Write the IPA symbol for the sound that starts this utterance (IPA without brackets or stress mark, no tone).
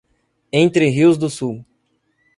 ẽ